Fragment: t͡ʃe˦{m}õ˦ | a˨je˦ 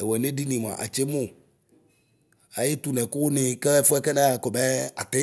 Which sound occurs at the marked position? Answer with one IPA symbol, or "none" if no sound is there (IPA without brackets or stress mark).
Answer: m